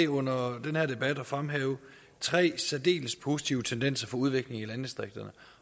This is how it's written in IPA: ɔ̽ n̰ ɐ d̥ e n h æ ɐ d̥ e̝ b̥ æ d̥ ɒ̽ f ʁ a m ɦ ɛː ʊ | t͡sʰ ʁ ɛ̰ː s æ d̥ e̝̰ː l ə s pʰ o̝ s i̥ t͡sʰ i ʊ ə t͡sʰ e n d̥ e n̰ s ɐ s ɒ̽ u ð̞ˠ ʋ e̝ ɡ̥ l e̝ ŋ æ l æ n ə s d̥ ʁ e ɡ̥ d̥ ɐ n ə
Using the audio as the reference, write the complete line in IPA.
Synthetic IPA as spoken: ɔ̽ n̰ ɐ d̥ e n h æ ɐ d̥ e̝ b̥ æ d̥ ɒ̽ f ʁ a m ɦ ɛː ʊ | t͡sʰ ʁ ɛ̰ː s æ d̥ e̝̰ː l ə s pʰ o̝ s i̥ t͡sʰ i ʊ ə t͡sʰ e n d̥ e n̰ s ɐ f ɒ̽ u ð̞ˠ ʋ e̝ ɡ̥ l e̝ ŋ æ l æ n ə s d̥ ʁ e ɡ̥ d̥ ɐ n ə